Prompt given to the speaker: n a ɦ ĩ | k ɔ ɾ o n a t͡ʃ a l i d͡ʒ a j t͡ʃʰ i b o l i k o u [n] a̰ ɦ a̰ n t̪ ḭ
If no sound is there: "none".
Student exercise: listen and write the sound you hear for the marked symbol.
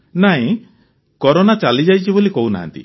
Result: n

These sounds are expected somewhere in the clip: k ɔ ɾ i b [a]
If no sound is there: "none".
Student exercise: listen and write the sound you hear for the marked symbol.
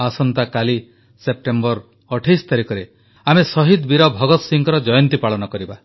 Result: a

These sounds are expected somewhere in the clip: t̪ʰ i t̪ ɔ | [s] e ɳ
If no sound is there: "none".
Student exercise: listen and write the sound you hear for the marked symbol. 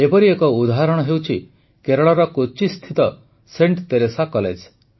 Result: s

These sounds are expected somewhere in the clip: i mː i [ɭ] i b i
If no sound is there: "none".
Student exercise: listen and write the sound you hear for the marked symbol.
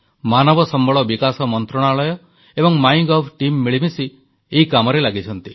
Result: ɭ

